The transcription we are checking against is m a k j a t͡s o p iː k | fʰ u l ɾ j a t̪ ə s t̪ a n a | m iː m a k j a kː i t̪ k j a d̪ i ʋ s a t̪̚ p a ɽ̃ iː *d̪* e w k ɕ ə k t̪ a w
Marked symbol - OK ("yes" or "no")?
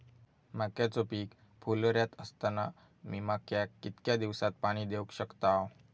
yes